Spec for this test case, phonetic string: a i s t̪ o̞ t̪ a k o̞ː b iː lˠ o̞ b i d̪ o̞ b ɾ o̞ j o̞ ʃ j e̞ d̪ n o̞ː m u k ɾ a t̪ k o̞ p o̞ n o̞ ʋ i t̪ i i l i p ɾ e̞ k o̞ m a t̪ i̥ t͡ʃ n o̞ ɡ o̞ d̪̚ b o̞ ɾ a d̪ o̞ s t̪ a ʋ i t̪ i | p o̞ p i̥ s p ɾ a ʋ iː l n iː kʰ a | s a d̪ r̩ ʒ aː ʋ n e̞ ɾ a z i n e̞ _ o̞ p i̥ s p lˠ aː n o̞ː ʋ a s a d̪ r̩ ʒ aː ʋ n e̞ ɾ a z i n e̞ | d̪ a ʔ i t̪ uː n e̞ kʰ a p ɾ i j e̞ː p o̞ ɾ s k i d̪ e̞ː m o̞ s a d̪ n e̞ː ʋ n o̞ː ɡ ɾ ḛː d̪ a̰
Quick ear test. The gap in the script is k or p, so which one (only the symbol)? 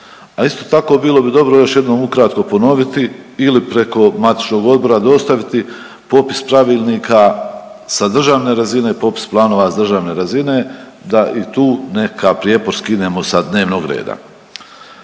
p